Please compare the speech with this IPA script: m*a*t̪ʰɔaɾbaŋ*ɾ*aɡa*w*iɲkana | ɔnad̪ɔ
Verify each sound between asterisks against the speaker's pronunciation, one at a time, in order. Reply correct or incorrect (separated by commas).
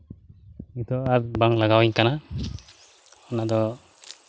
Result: incorrect, incorrect, correct